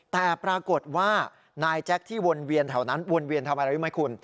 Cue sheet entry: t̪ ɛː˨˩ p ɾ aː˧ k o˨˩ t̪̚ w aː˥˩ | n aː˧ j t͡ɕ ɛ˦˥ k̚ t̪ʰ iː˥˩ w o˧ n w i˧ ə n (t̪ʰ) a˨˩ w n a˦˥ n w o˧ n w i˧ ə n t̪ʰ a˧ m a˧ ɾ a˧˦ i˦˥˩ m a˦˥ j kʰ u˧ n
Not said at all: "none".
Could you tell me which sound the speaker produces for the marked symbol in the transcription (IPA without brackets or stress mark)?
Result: t̪ʰ